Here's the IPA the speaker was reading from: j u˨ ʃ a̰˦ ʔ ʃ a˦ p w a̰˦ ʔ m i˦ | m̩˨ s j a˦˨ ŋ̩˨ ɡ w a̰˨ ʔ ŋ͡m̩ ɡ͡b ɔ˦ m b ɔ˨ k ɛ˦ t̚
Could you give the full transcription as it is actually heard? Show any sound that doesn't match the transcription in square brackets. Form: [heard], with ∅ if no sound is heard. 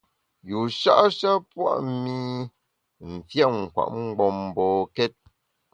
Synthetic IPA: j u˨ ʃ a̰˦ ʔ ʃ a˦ p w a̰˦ ʔ m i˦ | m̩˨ [f] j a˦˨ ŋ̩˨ [k] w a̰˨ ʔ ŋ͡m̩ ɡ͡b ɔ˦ m b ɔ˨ k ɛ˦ t̚